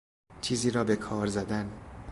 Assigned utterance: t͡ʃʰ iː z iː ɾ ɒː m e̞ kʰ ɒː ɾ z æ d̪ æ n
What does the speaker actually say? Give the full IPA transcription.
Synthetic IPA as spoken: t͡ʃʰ iː z iː ɾ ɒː b e̞ kʰ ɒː ɾ z æ d̪ æ n